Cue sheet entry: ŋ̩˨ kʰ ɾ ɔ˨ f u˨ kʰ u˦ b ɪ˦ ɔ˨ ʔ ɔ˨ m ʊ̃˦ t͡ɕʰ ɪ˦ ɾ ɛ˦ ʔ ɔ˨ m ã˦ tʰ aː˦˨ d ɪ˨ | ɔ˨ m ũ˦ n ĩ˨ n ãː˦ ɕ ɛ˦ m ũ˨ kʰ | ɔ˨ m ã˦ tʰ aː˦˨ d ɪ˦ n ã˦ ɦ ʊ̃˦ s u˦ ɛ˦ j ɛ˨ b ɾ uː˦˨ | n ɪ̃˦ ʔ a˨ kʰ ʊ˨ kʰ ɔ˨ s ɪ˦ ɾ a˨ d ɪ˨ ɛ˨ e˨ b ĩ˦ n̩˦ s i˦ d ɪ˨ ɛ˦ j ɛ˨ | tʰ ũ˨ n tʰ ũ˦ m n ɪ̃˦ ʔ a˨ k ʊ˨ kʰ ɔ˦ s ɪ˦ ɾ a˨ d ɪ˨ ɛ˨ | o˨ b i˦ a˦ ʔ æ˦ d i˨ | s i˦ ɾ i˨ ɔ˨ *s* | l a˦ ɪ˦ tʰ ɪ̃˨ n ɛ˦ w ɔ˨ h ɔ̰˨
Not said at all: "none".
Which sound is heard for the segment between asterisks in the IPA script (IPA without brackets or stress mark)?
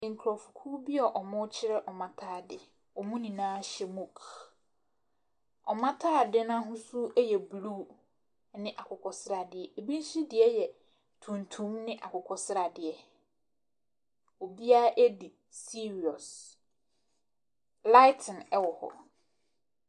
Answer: s